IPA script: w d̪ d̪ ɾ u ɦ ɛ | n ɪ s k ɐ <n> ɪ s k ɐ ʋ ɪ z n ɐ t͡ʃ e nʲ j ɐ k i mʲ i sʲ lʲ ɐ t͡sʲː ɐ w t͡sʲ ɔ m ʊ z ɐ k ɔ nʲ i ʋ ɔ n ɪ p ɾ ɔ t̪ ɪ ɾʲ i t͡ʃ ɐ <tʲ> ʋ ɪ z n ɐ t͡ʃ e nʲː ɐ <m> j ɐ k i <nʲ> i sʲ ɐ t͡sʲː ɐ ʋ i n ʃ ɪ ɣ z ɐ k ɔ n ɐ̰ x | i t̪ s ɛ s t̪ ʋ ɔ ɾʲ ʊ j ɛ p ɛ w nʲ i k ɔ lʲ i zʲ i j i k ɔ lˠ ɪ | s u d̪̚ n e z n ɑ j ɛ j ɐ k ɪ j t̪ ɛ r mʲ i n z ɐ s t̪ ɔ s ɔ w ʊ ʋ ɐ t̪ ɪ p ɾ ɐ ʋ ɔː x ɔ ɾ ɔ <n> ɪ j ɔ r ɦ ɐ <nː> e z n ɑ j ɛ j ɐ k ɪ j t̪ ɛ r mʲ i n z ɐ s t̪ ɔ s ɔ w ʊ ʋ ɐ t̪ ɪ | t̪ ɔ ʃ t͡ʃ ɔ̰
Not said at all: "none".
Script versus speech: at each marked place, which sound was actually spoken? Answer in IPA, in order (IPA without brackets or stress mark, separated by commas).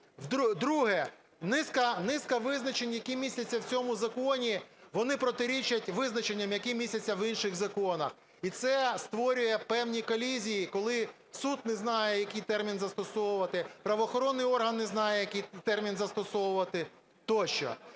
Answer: n, tʲ, m, mʲ, nː, nː